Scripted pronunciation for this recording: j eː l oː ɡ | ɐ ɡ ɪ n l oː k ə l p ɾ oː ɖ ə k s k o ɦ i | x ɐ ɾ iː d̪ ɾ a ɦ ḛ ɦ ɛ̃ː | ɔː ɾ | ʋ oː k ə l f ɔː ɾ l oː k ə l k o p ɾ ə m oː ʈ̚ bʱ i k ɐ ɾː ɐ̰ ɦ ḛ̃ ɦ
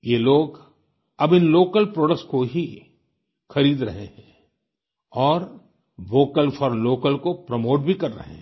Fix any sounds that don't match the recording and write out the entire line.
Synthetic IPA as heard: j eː l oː ɡ | ɐ b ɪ n l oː k ə l p ɾ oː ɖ ə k s k o ɦ i | x ɐ ɾ iː d̪ ɾ ɐ ɦ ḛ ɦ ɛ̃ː | ɔː ɾ | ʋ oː k ə l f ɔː ɾ l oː k ə l k o p ɾ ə m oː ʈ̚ bʱ i k ɐ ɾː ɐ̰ ɦ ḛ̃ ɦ